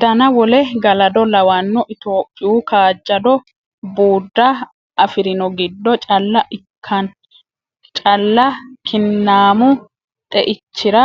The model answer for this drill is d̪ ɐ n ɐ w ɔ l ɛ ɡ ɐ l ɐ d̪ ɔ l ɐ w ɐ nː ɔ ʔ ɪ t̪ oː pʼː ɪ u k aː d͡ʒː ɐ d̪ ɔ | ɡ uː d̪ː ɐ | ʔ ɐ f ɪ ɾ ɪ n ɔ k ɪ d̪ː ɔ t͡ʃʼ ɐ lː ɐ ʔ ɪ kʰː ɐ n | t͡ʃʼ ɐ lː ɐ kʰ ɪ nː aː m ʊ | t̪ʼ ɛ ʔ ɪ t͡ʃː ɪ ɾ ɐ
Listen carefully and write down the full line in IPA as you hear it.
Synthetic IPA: d̪ ɐ n ɐ w ɔ l ɛ ɡ ɐ l ɐ d̪ ɔ l ɐ w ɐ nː ɔ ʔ ɪ t̪ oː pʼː ɪ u k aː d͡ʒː ɐ d̪ ɔ | b uː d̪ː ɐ | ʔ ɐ f ɪ ɾ ɪ n ɔ ɡ ɪ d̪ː ɔ t͡ʃʼ ɐ lː ɐ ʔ ɪ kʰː ɐ n | t͡ʃʼ ɐ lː ɐ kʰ ɪ nː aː m ʊ | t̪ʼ ɛ ʔ ɪ t͡ʃː ɪ ɾ ɐ